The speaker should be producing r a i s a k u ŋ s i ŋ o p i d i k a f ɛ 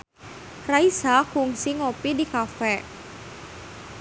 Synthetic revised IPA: r a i s a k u ŋ s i ŋ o p i d i k a f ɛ